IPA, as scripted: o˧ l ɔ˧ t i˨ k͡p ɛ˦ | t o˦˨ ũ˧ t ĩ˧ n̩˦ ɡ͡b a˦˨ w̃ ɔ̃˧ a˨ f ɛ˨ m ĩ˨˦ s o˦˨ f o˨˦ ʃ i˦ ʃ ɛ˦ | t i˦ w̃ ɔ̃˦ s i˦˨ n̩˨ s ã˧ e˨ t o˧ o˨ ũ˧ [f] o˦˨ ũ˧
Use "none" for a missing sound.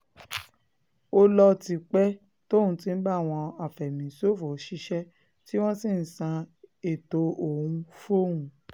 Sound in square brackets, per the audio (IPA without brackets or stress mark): f